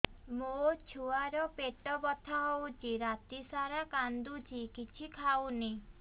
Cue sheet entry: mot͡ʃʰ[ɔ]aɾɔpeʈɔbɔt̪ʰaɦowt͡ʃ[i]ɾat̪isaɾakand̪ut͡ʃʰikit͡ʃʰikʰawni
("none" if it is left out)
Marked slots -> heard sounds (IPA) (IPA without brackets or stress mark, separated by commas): u, i